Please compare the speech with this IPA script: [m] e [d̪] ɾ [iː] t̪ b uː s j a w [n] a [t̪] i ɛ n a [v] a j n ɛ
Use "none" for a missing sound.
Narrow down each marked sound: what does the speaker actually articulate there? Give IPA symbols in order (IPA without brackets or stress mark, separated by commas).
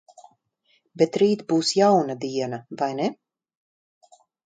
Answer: b, t̪, iː, n, d̪, v